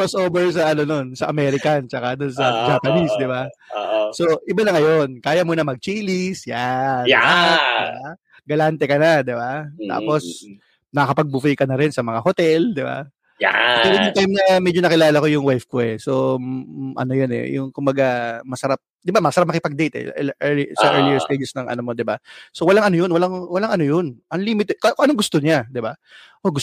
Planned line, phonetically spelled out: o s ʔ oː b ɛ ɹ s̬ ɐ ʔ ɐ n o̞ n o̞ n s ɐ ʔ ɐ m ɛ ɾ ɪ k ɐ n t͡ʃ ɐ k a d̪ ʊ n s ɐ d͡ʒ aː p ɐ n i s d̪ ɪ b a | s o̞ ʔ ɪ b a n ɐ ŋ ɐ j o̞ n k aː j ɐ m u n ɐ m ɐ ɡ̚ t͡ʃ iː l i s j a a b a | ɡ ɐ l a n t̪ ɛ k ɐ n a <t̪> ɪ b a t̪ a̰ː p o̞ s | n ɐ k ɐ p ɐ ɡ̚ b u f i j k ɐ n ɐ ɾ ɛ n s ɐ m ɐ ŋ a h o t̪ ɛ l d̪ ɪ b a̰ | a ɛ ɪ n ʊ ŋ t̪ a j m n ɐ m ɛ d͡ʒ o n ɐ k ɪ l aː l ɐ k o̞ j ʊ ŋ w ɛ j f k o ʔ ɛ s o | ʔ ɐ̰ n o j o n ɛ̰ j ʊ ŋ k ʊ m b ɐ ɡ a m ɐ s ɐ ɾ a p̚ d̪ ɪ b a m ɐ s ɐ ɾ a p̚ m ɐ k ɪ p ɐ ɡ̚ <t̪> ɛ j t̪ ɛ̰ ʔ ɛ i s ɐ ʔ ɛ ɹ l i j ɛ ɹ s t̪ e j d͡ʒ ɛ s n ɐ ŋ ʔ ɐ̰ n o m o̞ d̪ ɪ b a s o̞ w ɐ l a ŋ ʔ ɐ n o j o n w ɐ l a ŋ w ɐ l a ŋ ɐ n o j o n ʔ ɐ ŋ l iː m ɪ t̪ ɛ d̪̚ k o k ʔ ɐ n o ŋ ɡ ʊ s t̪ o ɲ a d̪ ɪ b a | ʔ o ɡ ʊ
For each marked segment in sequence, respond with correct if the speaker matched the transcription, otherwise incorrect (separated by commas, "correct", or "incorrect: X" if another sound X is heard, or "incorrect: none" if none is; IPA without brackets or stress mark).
incorrect: d̪, incorrect: d̪